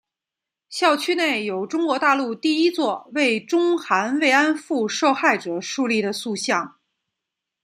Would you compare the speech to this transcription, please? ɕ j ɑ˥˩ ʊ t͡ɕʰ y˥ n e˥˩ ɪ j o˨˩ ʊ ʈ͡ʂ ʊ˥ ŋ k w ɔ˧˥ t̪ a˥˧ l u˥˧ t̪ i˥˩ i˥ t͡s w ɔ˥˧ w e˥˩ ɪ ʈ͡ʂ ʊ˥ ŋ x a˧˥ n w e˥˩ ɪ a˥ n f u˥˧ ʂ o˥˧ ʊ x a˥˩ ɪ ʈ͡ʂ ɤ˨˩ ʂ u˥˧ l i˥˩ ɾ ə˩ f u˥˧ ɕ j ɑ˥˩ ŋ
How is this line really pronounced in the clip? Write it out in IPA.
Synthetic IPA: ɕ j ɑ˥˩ ʊ t͡ɕʰ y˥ n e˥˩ ɪ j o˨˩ ʊ ʈ͡ʂ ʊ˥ ŋ k w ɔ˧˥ t̪ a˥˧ l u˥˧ t̪ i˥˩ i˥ t͡s w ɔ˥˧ w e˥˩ ɪ ʈ͡ʂ ʊ˥ ŋ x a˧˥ n w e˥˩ ɪ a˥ n f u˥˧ ʂ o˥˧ ʊ x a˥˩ ɪ ʈ͡ʂ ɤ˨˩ ʂ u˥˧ l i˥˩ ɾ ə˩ s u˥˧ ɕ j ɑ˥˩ ŋ